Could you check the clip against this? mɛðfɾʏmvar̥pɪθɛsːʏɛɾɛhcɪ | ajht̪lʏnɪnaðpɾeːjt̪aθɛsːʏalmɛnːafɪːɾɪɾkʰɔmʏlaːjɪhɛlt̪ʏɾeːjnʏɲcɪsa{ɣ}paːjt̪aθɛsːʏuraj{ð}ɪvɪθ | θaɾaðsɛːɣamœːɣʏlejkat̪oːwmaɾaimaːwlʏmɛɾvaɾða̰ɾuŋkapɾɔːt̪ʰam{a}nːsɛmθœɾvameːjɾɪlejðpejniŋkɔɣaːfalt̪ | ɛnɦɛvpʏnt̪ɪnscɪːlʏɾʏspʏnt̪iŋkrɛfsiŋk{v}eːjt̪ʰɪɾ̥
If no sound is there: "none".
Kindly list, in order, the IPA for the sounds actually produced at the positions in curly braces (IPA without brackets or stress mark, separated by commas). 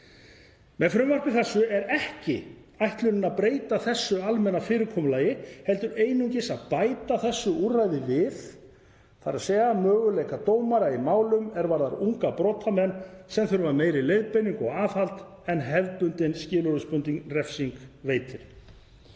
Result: ð, ð, ɛ, v